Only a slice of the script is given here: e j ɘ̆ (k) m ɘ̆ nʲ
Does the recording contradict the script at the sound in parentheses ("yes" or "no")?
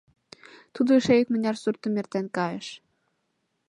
no